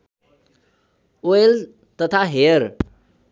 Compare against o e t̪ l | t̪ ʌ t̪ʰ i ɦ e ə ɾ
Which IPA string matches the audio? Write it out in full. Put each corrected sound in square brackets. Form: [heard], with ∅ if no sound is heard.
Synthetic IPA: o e [∅] l | t̪ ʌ t̪ʰ [a] ɦ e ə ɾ